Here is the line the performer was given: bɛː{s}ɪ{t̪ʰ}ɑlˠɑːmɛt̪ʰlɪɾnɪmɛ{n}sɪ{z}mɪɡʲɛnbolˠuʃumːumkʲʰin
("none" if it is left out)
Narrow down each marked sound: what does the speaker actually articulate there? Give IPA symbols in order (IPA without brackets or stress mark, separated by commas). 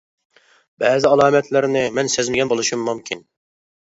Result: z, none, n, z